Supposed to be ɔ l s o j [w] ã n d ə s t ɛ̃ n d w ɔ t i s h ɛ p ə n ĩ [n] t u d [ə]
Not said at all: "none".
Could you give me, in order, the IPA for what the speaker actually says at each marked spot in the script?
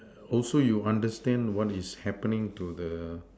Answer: u, ŋ, ə

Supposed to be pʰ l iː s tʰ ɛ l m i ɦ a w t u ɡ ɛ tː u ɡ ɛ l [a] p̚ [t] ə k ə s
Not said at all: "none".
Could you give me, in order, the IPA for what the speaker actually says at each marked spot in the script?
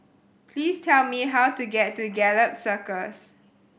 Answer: ə, s

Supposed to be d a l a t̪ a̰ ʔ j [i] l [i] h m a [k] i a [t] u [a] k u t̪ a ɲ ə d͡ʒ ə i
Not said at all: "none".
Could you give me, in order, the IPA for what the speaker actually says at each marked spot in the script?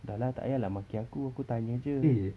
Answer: a, a, k, k, a

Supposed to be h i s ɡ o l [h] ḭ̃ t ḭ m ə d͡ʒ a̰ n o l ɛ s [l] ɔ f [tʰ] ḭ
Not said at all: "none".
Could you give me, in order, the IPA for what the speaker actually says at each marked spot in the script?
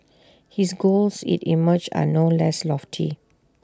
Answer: s, l, tʰ

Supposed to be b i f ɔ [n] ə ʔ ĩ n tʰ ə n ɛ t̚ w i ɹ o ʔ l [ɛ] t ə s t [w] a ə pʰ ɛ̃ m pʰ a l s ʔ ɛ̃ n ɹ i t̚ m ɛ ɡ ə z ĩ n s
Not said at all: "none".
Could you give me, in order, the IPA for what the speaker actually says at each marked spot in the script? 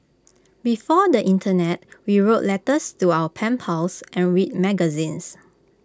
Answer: d, ɛ, u

